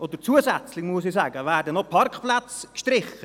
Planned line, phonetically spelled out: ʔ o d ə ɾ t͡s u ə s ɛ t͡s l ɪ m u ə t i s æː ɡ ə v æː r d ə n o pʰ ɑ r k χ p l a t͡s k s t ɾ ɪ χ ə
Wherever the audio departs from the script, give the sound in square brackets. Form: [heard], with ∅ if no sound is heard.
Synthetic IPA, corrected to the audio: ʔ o d ə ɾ t͡s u ə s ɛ t͡s l ɪ m u ə [s] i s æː ɡ ə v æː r d ə n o pʰ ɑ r k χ p l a t͡s k [ʃ] t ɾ ɪ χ ə

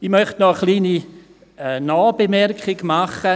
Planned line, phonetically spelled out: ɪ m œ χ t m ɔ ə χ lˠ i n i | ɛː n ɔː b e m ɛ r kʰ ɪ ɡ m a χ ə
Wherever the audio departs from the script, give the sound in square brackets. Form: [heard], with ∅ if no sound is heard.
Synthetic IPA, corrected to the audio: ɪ m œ χ t [n] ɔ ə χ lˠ [iː] n i | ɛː n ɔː b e m ɛ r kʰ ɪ ɡ m a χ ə

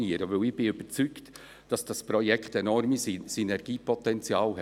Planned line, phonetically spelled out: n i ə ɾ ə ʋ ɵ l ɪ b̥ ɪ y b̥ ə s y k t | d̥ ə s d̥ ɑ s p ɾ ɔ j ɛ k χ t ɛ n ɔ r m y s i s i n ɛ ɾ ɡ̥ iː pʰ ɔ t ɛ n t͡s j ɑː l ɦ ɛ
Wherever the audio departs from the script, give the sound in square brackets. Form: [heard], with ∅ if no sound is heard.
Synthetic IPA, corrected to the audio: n i ə ɾ ə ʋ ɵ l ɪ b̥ ɪ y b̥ ə [t͡s] y k t | d̥ [ɑ] s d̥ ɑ s p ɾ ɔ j ɛ k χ t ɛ n ɔ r m [i] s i s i n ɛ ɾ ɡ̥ iː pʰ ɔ t ɛ n t͡s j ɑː l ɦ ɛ

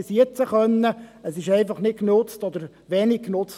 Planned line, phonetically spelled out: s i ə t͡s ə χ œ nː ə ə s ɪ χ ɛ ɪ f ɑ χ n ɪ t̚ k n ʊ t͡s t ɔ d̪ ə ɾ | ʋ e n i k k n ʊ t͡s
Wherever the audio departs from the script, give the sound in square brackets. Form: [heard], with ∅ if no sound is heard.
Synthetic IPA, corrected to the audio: s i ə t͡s ə χ œ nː ə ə s ɪ [ʃ] ɛ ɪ f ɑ χ n ɪ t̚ k n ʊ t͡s t ɔ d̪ ə ɾ | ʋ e n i k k n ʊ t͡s

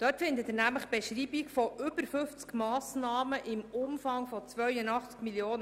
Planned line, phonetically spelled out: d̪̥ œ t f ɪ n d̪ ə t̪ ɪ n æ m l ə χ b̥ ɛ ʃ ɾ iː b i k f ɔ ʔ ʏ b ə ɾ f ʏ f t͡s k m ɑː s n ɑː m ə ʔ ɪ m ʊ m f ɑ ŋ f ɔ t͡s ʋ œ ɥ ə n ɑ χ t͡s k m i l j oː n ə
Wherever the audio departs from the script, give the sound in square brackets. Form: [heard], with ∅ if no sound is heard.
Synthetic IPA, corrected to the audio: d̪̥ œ t f ɪ n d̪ ə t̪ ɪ n æ m l ə χ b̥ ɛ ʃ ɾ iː b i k f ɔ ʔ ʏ b ə ɾ f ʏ f t͡s k m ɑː s n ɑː m ə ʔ ɪ m ʊ m f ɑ ŋ f ɔ t͡s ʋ œ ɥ ə n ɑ χ t͡s k m i l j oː n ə

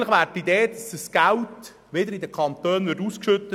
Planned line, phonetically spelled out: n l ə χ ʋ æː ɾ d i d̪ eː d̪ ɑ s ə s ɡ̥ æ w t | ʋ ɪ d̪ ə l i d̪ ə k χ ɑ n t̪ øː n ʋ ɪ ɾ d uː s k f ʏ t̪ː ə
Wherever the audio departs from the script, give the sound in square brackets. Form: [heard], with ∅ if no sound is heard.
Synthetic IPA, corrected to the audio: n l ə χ ʋ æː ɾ [t] i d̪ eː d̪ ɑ s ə s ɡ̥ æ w t | ʋ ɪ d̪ ə [ɾ] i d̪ ə k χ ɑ n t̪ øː n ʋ ɪ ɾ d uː s k [ʃ] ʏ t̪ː ə

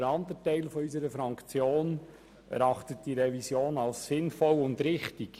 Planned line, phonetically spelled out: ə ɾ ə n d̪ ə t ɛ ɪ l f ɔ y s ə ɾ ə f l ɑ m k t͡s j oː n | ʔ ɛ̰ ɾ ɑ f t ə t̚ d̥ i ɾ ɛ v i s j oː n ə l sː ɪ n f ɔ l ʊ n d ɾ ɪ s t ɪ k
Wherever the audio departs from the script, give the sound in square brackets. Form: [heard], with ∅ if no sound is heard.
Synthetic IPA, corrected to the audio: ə ɾ [ɑ] n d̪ ə t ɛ ɪ l f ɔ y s ə ɾ ə f [ɾ] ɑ [ŋ] k t͡s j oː n | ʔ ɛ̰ ɾ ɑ [χ] t ə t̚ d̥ i ɾ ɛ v i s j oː n [ɑ] l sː ɪ n f ɔ l ʊ n d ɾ ɪ [χ] t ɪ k

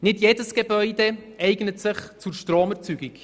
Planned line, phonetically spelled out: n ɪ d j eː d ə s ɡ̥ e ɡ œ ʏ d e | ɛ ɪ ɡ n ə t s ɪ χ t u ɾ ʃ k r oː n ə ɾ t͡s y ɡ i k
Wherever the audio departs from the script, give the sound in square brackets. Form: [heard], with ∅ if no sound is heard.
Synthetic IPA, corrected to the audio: n ɪ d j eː d ə s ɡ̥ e [b] œ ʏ d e | ɛ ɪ ɡ n ə t s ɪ χ [t͡s] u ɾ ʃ [t] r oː [m] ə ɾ t͡s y ɡ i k

